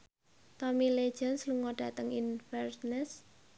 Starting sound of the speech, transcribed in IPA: t̪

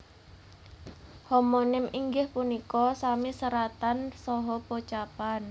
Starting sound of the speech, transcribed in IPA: h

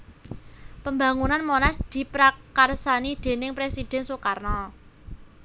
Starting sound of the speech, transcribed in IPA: p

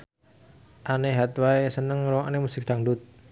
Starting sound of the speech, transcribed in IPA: ʔ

